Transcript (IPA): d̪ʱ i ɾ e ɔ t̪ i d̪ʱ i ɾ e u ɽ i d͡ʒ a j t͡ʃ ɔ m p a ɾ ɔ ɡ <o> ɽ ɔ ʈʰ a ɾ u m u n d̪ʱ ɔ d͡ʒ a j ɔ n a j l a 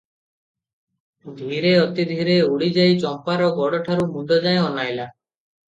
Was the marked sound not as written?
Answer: yes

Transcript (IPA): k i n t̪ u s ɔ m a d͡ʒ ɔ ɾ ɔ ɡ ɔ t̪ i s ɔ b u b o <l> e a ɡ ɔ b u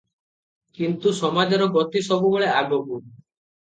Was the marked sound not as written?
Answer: yes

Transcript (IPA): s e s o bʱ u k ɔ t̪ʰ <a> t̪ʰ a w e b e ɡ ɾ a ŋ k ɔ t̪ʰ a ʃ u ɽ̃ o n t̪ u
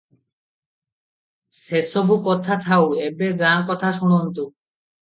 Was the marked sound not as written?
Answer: no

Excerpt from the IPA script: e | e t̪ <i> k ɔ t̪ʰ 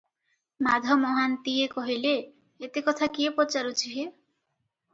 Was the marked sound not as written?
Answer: yes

